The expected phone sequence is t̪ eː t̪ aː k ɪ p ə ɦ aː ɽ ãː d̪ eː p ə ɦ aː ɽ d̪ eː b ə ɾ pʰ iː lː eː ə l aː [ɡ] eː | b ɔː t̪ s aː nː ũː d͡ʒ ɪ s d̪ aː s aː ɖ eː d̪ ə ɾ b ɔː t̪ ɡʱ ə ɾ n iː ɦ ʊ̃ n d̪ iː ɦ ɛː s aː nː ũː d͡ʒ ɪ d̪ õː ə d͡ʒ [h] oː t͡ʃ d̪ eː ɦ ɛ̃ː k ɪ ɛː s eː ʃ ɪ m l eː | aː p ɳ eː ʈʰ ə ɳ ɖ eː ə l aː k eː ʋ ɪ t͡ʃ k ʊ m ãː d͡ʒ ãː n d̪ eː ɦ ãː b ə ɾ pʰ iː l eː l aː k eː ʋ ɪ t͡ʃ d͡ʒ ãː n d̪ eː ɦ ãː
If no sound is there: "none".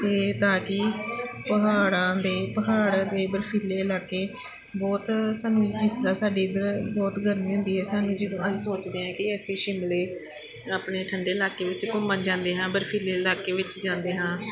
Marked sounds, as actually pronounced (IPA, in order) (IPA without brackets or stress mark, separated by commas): k, s